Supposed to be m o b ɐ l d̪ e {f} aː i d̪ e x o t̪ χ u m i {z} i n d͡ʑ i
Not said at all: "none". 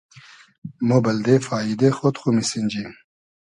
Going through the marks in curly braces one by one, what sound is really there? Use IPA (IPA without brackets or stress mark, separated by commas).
f, s